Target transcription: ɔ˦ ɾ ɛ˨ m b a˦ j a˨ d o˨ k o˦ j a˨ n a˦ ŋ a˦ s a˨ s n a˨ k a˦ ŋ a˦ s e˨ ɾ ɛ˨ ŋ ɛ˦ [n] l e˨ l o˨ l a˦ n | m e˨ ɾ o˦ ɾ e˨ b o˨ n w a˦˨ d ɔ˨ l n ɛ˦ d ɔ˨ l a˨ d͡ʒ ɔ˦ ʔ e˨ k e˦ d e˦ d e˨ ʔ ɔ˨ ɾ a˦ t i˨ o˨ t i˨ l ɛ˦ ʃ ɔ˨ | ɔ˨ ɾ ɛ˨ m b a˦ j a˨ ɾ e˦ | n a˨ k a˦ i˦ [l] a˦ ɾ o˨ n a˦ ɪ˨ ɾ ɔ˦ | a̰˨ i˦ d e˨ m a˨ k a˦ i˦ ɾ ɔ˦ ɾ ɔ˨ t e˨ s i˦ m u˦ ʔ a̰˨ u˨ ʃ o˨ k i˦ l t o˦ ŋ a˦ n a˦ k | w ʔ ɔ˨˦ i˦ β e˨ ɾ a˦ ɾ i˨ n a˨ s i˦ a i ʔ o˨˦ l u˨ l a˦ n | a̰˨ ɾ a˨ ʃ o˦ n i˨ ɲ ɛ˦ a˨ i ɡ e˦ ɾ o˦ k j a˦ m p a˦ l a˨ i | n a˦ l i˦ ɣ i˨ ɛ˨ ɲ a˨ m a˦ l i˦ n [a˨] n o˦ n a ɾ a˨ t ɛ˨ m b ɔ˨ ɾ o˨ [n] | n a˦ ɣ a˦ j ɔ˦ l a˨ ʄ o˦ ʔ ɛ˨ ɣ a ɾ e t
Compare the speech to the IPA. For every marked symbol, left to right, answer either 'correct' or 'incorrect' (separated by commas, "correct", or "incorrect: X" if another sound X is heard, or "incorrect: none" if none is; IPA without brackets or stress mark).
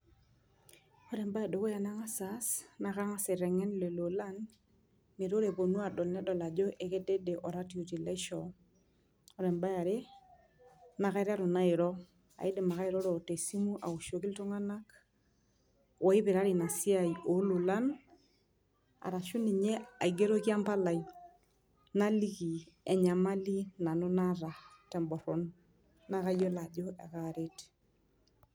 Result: correct, incorrect: ɾ, correct, correct